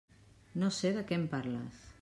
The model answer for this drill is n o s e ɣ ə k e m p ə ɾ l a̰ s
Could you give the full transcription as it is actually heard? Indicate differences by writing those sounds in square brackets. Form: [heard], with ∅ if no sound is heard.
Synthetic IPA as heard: n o s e [ð] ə k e m p [a] ɾ l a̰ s

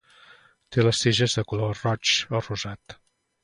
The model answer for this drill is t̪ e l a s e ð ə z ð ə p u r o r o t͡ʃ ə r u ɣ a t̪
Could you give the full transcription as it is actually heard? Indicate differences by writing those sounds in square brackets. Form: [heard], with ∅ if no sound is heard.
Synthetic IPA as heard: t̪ e l [ə] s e [ʒ] ə z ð ə [k] u [l] o r [ɔ] t͡ʃ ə r u [z] a t̪

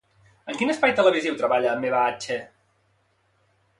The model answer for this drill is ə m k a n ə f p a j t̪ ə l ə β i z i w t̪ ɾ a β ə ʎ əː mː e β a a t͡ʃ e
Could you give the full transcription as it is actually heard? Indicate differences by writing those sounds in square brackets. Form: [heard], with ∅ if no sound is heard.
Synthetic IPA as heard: ə [ŋ] k [i] n ə [s] p a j t̪ ə l ə β i z i w t̪ ɾ [ə] β [a] ʎ əː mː e β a a t͡ʃ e

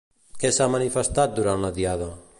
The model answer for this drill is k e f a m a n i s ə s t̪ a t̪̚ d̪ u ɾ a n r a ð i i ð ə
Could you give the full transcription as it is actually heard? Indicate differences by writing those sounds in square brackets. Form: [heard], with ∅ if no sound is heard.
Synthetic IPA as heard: k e [s] a m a n i [f] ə s t̪ a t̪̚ d̪ u ɾ a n [l] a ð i [a] ð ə

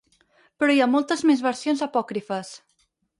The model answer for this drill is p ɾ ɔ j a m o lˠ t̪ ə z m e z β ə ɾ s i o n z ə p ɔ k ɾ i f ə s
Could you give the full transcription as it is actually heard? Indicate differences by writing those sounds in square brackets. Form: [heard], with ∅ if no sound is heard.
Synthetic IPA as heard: p ɾ ɔ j a m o lˠ t̪ ə z m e z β ə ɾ s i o n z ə p ɔ k ɾ i f ə s

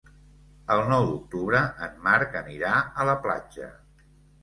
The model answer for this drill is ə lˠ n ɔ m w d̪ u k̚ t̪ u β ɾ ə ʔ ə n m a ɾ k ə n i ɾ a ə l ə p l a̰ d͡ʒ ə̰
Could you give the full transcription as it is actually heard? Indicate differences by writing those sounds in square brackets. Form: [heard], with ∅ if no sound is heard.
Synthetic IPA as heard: ə lˠ n ɔ [∅] w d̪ u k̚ t̪ u β ɾ ə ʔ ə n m a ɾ k ə n i ɾ a ə l ə p l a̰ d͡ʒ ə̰

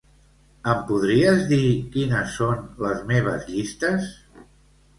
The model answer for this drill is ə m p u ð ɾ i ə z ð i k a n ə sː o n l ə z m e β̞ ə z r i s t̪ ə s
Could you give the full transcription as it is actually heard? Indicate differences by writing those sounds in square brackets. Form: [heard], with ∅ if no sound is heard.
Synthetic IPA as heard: ə m p u ð ɾ i ə z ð i k [i] n ə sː o n l ə z m e β̞ ə z [ʎ] i s t̪ ə s

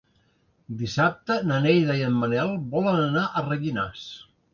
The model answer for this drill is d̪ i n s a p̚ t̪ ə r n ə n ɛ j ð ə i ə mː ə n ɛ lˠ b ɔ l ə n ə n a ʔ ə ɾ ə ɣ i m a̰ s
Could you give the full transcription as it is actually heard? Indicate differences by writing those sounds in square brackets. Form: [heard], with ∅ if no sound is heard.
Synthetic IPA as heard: d̪ i [∅] s a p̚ t̪ ə [∅] n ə n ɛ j ð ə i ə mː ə n ɛ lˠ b ɔ l ə n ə n a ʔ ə [r] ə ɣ i [n] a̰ s

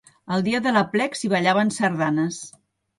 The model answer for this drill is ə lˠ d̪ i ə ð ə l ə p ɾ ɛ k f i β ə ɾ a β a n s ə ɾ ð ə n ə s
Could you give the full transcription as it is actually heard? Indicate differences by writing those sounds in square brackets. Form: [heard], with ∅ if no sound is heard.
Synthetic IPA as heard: ə lˠ d̪ i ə ð ə l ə p [l] ɛ k [s] i β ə [ʎ] a β [ə] n s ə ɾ ð [a] n ə s

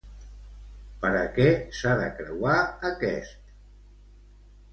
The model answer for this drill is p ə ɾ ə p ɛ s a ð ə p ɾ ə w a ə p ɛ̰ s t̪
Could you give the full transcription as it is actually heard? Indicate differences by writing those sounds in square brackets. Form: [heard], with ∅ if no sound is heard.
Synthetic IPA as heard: p ə ɾ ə [k] ɛ s a ð ə [k] ɾ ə w a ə [k] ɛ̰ s t̪

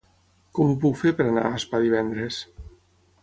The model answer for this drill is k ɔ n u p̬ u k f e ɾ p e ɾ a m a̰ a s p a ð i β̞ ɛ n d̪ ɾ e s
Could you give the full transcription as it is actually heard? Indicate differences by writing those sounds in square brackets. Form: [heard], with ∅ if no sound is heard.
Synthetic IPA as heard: k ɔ [m] u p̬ u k f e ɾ p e ɾ a [n] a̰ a s p a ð i β̞ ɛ n d̪ ɾ e s

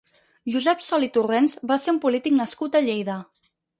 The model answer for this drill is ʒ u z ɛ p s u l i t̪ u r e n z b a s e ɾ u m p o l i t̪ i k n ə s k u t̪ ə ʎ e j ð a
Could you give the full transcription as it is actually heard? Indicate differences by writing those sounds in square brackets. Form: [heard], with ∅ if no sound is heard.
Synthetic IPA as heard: ʒ u z ɛ p s [ɔ] l i t̪ u r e n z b a s e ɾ u m p [u] l i t̪ i k n ə s k u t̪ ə ʎ e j ð [ə]

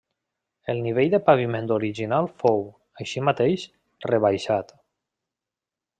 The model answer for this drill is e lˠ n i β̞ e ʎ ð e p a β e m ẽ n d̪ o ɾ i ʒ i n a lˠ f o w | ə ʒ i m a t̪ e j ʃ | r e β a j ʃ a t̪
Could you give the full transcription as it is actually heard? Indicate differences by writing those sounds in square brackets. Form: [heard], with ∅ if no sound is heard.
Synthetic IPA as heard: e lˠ n i β̞ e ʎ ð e p a β [i] m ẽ n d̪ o ɾ i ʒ i n a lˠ f o w | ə [ʃ] i m a t̪ e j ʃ | r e β a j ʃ a t̪

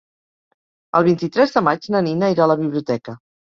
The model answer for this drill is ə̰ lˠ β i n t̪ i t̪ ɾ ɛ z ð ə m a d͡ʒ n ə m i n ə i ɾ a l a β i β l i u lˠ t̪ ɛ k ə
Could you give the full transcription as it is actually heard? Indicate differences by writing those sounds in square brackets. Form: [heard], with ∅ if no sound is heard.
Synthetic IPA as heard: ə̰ lˠ β i n t̪ i t̪ ɾ ɛ z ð ə m a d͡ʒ n ə [n] i n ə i ɾ a l [ə] β i β l i u [∅] t̪ ɛ k ə

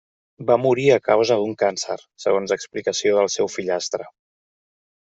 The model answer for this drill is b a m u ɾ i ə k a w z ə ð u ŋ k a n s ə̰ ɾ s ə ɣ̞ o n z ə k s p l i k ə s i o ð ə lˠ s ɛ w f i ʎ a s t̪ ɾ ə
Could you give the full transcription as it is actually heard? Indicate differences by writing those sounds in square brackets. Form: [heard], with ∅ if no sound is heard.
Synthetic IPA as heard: b a m u ɾ i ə k a w z ə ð u ŋ k a n s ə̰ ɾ s ə ɣ̞ o n z ə k s p l i k ə s i o ð ə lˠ s ɛ w f i ʎ a s t̪ ɾ ə

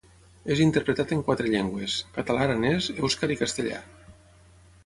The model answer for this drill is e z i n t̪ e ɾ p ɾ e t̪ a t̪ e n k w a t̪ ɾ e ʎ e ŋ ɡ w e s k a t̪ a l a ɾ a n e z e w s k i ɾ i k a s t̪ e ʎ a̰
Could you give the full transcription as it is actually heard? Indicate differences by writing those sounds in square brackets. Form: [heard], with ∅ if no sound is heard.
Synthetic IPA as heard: e z i n t̪ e ɾ p ɾ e t̪ a t̪ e [ŋ] k w a t̪ ɾ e ʎ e ŋ ɡ w e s k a t̪ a l a ɾ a n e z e w s k [a] ɾ i k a s t̪ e ʎ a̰

